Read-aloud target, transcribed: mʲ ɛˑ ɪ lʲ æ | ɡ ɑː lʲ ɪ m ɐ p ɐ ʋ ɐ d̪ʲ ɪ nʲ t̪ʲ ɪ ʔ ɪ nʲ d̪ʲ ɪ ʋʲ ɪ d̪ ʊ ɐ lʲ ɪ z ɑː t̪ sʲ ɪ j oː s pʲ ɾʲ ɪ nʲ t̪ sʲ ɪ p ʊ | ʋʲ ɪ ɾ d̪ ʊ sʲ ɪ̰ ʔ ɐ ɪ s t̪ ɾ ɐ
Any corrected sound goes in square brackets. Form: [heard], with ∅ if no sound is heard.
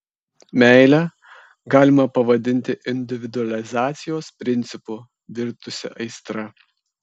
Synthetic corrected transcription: mʲ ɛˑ ɪ lʲ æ | ɡ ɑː lʲ ɪ m ɐ p ɐ ʋ ɐ d̪ʲ ɪ nʲ t̪ʲ ɪ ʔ ɪ nʲ d̪ʲ ɪ ʋʲ ɪ d̪ ʊ ɐ lʲ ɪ z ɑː t̪ sʲ ɪ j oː s pʲ ɾʲ ɪ nʲ t̪ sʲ ɪ p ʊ | ʋʲ ɪ ɾ [t̪] ʊ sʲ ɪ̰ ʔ ɐ ɪ s t̪ ɾ ɐ

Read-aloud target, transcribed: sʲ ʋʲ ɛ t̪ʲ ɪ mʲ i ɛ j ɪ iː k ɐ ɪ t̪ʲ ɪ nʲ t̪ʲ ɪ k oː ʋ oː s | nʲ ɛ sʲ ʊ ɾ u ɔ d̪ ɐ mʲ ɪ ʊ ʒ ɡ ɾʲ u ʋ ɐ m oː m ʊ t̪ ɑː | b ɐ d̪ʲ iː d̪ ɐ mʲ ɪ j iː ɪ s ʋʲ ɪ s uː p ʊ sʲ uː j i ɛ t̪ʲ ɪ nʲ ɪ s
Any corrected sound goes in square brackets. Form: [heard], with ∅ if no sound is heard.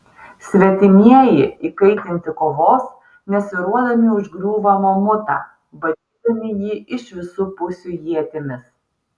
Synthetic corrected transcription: sʲ ʋʲ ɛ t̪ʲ ɪ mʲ i ɛ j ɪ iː k ɐ ɪ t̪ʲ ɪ nʲ t̪ʲ ɪ k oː ʋ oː s | nʲ ɛ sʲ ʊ ɾ u ɔ d̪ ɐ mʲ ɪ ʊ ʒ ɡ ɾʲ [uː] ʋ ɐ m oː m ʊ t̪ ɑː | b ɐ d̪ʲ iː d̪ ɐ mʲ ɪ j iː ɪ [ʃ] ʋʲ ɪ s uː p ʊ sʲ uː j i ɛ t̪ʲ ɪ [mʲ] ɪ s

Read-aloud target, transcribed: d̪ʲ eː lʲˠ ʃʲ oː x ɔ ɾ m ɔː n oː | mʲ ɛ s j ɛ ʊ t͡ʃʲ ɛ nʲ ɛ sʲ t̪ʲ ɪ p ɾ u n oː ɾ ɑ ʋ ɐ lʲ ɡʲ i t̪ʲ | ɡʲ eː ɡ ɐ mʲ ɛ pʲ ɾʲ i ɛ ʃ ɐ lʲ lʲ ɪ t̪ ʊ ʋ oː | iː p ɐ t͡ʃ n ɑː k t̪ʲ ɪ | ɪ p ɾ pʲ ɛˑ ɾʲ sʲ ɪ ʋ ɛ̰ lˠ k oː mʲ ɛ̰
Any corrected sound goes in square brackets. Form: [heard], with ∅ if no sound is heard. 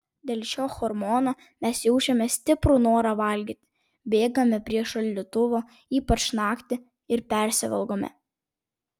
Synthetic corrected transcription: d̪ʲ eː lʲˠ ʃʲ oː x ɔ ɾ m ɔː n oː | mʲ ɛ s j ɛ ʊ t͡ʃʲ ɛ [mʲ] ɛ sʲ t̪ʲ ɪ p ɾ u n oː ɾ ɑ ʋ ɐ lʲ ɡʲ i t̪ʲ | [bʲ] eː ɡ ɐ mʲ ɛ pʲ ɾʲ i ɛ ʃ ɐ lʲ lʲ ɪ t̪ ʊ ʋ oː | iː p ɐ t͡ʃ n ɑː k t̪ʲ ɪ | ɪ [∅] ɾ pʲ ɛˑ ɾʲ sʲ ɪ ʋ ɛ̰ lˠ [ɡ] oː mʲ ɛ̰

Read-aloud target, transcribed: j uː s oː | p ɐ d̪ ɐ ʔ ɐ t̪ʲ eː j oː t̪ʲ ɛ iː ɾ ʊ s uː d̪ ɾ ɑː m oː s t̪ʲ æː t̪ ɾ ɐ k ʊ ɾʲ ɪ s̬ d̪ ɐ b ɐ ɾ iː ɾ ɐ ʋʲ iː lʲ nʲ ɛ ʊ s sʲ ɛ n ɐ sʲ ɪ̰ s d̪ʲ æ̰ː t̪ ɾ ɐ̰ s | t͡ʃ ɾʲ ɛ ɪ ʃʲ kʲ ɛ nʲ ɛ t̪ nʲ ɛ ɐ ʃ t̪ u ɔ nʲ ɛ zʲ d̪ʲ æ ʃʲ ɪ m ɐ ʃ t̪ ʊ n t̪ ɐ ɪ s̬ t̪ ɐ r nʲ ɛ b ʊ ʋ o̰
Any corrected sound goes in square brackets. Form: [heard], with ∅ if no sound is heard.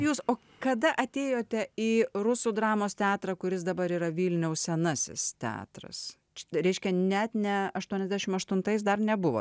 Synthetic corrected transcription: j uː s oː | [k] ɐ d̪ ɐ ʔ ɐ t̪ʲ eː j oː t̪ʲ ɛ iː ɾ ʊ s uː d̪ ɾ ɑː m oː s t̪ʲ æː t̪ ɾ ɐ k ʊ ɾʲ ɪ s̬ d̪ ɐ b ɐ ɾ iː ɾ ɐ ʋʲ iː lʲ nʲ ɛ ʊ s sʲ ɛ n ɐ sʲ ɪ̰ s [t̪ʲ] æ̰ː t̪ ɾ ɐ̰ s | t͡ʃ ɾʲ ɛ ɪ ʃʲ kʲ ɛ nʲ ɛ t̪ nʲ ɛ ɐ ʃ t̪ u ɔ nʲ ɛ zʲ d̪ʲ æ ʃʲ ɪ m ɐ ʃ t̪ ʊ n t̪ ɐ ɪ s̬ [d̪] ɐ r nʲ ɛ b ʊ ʋ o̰

